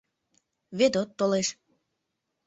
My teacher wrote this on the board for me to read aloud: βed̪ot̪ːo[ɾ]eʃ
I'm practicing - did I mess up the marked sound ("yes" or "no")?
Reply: yes